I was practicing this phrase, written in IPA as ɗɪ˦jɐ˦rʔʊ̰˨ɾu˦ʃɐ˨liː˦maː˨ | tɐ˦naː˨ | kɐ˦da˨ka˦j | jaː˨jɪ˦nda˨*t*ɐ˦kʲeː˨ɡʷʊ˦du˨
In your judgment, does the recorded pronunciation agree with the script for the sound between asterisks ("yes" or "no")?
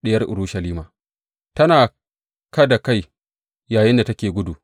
yes